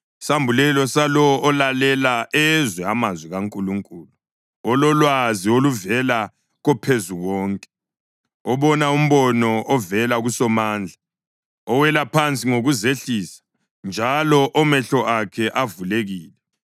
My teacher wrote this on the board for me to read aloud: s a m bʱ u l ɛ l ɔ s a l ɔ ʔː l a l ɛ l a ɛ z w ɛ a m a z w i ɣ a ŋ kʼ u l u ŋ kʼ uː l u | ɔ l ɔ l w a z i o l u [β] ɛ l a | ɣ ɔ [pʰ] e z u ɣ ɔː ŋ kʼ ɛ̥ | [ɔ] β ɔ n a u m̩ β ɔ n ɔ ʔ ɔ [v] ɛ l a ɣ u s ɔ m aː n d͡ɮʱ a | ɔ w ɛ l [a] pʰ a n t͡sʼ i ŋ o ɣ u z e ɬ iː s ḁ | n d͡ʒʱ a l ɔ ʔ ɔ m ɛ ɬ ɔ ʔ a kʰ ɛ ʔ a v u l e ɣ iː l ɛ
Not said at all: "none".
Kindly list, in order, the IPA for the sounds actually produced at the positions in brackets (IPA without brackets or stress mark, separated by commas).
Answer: v, pʰ, ɔ, v, a